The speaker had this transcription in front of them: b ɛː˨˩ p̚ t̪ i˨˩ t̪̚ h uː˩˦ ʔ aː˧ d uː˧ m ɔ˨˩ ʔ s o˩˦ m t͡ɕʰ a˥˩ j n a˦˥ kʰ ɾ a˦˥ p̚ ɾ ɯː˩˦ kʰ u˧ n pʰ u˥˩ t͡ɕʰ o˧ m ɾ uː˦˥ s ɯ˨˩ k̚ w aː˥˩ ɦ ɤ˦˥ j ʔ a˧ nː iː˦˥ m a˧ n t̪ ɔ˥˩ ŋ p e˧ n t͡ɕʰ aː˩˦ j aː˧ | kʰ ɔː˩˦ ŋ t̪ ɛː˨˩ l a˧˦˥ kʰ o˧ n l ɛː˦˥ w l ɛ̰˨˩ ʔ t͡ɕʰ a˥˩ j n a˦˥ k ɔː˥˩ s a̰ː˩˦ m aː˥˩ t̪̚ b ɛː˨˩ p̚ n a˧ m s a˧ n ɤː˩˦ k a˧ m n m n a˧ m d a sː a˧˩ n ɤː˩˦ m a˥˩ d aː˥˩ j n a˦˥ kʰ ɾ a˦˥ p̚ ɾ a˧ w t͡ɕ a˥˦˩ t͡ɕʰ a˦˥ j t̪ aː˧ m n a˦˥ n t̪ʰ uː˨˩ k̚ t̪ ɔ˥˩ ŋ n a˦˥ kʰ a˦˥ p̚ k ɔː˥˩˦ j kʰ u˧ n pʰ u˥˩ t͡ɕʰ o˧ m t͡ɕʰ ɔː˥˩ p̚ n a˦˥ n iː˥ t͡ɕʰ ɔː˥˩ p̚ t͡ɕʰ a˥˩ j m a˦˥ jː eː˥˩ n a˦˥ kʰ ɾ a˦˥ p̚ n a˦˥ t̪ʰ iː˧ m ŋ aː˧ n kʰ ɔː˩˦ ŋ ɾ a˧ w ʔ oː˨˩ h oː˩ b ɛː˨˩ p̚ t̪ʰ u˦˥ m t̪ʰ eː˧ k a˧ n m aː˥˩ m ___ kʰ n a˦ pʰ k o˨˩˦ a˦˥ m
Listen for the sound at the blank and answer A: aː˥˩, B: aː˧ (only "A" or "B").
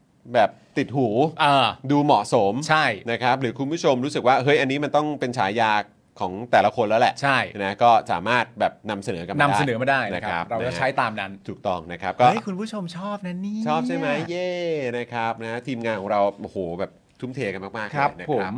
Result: A